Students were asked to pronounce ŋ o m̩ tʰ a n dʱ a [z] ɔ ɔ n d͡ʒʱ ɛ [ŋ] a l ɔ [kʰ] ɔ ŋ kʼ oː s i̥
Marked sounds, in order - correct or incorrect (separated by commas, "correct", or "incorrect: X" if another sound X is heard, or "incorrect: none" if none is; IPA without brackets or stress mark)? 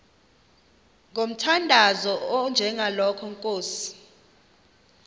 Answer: correct, correct, correct